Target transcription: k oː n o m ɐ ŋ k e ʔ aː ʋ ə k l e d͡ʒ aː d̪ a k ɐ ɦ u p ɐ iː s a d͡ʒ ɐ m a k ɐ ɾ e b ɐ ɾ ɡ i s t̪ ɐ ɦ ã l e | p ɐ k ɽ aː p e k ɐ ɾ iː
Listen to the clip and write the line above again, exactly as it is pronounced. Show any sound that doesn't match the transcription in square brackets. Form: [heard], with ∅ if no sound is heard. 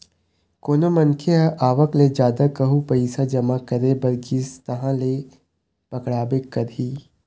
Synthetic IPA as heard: k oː n o m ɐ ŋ [kʰ] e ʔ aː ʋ ə k l e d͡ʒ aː d̪ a k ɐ ɦ u p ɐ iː s a d͡ʒ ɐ m a k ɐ ɾ e b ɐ ɾ ɡ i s t̪ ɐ ɦ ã l e | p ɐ k ɽ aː [b] e k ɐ ɾ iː